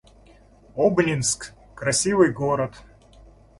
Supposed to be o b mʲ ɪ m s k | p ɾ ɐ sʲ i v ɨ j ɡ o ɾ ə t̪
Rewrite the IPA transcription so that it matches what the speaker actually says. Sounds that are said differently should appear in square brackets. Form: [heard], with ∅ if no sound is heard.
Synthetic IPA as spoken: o b [nʲ] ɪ [n] s k | [k] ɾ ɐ sʲ i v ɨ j ɡ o ɾ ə t̪